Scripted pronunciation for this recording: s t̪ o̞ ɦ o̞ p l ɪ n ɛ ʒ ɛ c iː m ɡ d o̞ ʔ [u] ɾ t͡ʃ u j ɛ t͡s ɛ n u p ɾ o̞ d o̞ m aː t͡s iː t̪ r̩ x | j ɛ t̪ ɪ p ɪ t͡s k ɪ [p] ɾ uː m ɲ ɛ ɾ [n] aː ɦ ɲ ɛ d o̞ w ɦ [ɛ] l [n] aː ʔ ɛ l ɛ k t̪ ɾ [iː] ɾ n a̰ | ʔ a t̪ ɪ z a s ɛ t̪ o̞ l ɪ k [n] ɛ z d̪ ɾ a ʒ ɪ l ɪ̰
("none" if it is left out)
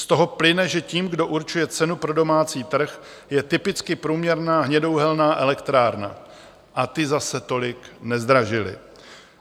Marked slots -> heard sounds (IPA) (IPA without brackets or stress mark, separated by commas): u, p, n, ɛ, n, aː, n